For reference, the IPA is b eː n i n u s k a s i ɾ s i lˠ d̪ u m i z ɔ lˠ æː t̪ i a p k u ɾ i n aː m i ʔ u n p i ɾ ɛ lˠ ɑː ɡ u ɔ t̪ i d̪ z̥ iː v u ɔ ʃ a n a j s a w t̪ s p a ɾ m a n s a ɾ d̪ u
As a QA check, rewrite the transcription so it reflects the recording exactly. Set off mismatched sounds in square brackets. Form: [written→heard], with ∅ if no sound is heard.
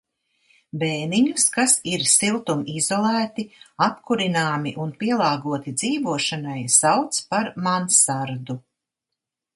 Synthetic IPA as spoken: b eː n i [n→ɲ] u s k a s i ɾ s i lˠ [d̪→t̪] u m i z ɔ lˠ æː t̪ i a p k u ɾ i n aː m i ʔ u n p i [ɾ→∅] ɛ lˠ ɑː ɡ u ɔ t̪ i d̪ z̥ iː v u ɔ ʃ a n a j s a w t̪ s p a ɾ m a n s a ɾ d̪ u